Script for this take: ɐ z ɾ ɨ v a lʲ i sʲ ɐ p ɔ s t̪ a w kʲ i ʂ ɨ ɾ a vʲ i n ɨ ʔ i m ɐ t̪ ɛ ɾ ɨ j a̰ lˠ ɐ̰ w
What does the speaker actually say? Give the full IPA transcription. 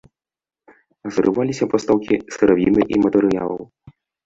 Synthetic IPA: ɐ z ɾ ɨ v a lʲ i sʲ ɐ p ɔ s t̪ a w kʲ i s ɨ ɾ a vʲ i n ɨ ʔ i m ɐ t̪ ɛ ɾ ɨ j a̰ lˠ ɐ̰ w